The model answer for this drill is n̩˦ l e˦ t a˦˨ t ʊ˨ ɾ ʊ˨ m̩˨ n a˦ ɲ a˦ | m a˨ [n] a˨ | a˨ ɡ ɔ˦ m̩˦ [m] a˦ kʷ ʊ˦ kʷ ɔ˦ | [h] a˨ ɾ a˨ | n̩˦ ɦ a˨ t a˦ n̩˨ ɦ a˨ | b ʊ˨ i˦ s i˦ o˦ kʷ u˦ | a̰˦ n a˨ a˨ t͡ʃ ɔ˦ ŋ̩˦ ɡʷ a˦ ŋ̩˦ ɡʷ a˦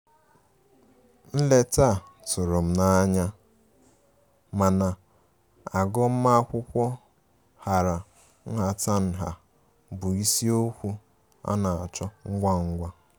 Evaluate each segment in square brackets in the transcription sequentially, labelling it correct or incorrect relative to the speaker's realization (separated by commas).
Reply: correct, correct, correct